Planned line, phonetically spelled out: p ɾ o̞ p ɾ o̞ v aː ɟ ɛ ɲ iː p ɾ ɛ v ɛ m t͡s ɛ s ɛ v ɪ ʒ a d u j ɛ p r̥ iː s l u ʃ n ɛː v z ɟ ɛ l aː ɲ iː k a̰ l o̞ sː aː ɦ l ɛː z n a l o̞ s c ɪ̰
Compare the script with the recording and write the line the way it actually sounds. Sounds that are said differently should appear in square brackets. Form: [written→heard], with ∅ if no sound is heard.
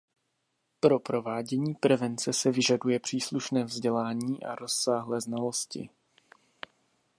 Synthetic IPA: p ɾ o̞ p ɾ o̞ v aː ɟ ɛ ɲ iː p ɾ ɛ v ɛ [m→n] t͡s ɛ s ɛ v ɪ ʒ a d u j ɛ p r̥ iː s l u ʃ n ɛː v z ɟ ɛ l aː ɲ iː [k→ʔ] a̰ [l→ɾ] o̞ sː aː ɦ l ɛː z n a l o̞ s c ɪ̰

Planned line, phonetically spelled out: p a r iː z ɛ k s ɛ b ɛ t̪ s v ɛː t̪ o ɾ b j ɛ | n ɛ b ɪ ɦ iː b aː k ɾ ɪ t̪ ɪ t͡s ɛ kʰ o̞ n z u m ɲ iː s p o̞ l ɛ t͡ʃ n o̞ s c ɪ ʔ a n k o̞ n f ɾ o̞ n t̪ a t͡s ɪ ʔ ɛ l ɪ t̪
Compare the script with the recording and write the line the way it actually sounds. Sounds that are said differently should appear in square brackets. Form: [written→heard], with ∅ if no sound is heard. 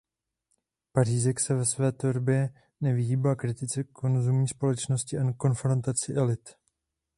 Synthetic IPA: p a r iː z ɛ k s ɛ [b→v] ɛ [t̪→∅] s v ɛː t̪ o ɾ b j ɛ | n ɛ [b→v] ɪ ɦ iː b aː k ɾ ɪ t̪ ɪ t͡s ɛ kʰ o̞ n z u m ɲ iː s p o̞ l ɛ t͡ʃ n o̞ s c ɪ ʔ a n k o̞ n f ɾ o̞ n t̪ a t͡s ɪ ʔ ɛ l ɪ t̪

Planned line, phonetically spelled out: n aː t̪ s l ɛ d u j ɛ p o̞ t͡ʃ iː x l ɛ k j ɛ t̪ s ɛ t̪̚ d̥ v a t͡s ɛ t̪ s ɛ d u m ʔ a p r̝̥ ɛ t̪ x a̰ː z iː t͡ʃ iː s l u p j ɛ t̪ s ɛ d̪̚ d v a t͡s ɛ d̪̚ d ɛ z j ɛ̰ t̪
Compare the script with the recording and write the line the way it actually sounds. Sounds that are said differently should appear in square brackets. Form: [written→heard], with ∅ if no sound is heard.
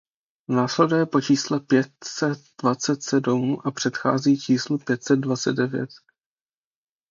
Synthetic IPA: n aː [t̪→∅] s l ɛ d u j ɛ p o̞ t͡ʃ iː [x→s] l ɛ [k→p] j ɛ t̪ s ɛ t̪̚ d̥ v a t͡s ɛ t̪ s ɛ d u m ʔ a p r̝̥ ɛ t̪ x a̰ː z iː t͡ʃ iː s l u p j ɛ t̪ s ɛ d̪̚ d v a t͡s ɛ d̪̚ d ɛ [z→v] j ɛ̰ t̪

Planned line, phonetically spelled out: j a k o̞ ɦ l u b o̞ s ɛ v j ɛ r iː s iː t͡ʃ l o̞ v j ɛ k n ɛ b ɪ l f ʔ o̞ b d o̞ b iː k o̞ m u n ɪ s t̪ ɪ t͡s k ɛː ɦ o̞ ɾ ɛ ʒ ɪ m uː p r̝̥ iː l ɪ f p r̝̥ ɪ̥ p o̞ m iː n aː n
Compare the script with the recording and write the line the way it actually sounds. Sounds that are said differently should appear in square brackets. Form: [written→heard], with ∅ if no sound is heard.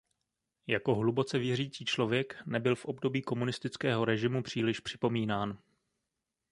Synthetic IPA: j a k o̞ ɦ l u b o̞ [s→t͡s] ɛ v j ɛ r iː [s→t͡s] iː t͡ʃ l o̞ v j ɛ k n ɛ b ɪ l f ʔ o̞ b d o̞ b iː k o̞ m u n ɪ s t̪ ɪ t͡s k ɛː ɦ o̞ ɾ ɛ ʒ ɪ m [uː→u] p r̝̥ iː l ɪ [f→ʃ] p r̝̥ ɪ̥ p o̞ m iː n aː n

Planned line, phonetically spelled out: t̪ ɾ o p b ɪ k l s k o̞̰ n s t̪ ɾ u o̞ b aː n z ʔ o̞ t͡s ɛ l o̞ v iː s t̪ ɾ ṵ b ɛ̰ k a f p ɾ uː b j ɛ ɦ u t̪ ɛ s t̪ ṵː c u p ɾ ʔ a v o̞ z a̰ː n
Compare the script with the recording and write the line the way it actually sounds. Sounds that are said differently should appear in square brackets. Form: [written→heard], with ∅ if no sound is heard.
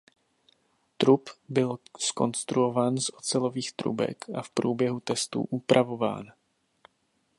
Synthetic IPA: t̪ ɾ [o→u] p b ɪ [k→∅] l s k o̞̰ n s t̪ ɾ u o̞ [b→v] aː n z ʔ o̞ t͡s ɛ l o̞ v iː [s→x] t̪ ɾ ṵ b ɛ̰ k a f p ɾ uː b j ɛ ɦ u t̪ ɛ s t̪ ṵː [c→ʔ] u p ɾ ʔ a v o̞ [z→v] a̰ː n

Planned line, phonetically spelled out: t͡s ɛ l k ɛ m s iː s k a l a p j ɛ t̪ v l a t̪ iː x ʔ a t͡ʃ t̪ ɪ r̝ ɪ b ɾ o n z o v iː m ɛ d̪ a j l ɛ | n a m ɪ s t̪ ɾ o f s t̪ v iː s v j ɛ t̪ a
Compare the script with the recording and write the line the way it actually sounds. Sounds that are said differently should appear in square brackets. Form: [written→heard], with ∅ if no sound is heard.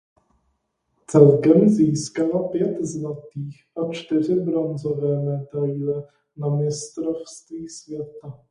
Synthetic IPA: t͡s ɛ l k ɛ m [s→z] iː s k a l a p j ɛ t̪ [v→z] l a t̪ iː x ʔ a t͡ʃ t̪ ɪ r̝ ɪ b ɾ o n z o v [iː→ɛː] m ɛ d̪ a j l ɛ | n a m ɪ s t̪ ɾ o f s t̪ v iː s v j ɛ t̪ a

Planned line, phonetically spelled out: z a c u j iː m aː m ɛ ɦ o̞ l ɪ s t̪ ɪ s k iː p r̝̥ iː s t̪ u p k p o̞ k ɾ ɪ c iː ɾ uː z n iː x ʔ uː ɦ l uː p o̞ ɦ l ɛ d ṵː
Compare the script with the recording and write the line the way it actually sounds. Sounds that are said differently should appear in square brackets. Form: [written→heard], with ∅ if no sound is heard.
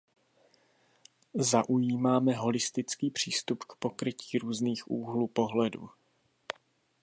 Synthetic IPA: z a [c→ʔ] u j iː m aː m ɛ ɦ o̞ l ɪ s t̪ ɪ [s→t͡s] k iː p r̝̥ iː s t̪ u p k p o̞ k ɾ ɪ c iː ɾ uː z n iː x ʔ uː ɦ l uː p o̞ ɦ l ɛ d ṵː

